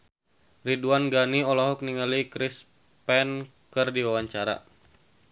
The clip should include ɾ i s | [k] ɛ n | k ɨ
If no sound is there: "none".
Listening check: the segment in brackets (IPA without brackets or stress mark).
p